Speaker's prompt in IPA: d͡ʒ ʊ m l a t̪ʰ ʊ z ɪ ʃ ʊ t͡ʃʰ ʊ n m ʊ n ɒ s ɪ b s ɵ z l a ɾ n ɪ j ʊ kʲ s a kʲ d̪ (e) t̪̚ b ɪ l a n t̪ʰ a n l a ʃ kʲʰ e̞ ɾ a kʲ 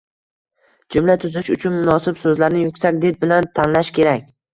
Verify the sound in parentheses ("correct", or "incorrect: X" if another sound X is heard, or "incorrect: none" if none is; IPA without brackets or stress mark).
correct